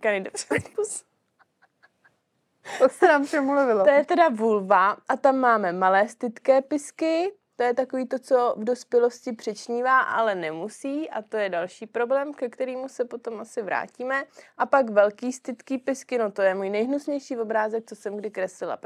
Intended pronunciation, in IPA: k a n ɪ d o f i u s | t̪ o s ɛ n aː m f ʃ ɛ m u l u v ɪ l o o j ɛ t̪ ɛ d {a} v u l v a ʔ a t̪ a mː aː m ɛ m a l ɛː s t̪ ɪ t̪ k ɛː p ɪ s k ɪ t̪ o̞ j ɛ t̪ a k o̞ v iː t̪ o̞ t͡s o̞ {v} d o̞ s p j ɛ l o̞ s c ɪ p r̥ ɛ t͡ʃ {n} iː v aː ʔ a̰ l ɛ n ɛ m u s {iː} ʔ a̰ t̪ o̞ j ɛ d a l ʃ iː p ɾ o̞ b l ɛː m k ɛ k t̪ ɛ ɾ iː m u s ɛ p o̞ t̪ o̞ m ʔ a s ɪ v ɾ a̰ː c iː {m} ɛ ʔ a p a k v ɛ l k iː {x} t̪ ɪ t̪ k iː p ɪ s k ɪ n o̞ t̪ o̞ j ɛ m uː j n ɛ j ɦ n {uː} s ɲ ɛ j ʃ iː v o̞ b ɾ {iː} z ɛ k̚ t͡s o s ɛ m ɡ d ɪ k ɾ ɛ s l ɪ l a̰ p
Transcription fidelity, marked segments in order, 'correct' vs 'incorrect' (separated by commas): correct, correct, incorrect, correct, correct, incorrect, incorrect, incorrect